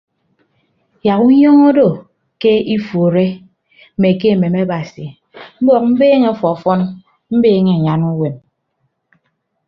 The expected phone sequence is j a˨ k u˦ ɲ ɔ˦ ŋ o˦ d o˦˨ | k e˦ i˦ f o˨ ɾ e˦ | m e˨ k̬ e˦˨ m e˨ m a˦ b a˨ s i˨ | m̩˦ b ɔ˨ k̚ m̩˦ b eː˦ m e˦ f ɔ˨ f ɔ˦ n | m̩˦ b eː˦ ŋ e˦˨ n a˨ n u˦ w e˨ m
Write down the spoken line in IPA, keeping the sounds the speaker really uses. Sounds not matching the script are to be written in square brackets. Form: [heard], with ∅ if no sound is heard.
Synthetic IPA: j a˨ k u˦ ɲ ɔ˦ ŋ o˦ d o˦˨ | k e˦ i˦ f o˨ ɾ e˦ | m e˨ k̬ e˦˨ m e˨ m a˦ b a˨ s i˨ | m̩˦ b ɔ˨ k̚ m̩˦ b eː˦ [ŋ] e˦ f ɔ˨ f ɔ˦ n | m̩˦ b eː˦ ŋ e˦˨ [ɲ] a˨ n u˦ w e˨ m